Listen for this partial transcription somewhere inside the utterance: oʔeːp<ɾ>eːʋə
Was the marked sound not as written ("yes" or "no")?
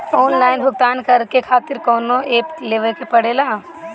yes